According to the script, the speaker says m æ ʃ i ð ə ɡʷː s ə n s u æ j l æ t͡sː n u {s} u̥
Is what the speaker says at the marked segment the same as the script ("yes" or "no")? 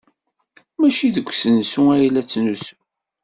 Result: yes